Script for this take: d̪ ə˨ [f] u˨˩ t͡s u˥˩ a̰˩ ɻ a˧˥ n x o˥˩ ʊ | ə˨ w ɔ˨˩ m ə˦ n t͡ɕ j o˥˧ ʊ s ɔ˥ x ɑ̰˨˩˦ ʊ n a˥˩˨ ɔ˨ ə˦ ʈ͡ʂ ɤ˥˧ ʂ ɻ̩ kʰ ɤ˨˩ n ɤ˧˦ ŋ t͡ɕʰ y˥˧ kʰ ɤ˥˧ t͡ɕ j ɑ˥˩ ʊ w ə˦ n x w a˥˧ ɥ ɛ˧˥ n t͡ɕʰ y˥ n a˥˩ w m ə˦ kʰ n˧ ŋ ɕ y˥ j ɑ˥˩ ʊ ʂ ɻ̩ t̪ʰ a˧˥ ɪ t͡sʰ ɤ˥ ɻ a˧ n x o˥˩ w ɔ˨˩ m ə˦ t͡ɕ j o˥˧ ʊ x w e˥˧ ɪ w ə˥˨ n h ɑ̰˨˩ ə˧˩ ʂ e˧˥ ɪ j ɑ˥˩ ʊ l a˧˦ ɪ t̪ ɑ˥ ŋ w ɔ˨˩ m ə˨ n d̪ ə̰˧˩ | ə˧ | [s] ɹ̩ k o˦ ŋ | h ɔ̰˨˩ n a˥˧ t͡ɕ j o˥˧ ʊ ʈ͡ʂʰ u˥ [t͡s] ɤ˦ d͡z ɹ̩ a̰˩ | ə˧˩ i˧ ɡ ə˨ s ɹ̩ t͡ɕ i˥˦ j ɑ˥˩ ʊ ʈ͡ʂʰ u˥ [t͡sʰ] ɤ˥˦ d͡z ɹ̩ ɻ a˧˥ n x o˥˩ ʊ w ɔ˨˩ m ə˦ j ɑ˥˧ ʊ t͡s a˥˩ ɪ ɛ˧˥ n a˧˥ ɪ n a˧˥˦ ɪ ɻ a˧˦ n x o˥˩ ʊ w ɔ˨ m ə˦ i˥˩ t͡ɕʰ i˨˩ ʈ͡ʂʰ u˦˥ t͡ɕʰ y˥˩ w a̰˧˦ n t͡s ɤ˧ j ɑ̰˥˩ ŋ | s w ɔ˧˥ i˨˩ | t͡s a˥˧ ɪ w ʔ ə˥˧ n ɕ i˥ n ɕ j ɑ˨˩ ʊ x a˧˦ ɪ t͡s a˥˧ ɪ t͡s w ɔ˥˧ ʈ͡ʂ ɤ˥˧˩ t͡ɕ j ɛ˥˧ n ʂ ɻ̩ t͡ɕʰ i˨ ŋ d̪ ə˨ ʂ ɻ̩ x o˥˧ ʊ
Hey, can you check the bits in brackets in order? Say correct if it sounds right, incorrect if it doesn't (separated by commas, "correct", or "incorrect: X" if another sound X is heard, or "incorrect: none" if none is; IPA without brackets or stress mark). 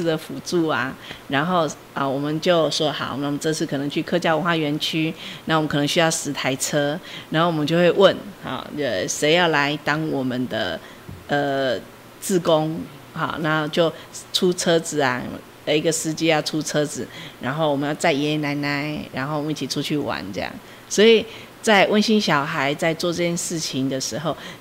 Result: correct, incorrect: t͡s, incorrect: t͡sʰ, correct